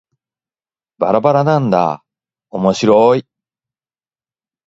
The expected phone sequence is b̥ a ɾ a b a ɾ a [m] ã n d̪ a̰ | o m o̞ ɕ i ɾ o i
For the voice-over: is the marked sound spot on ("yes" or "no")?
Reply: no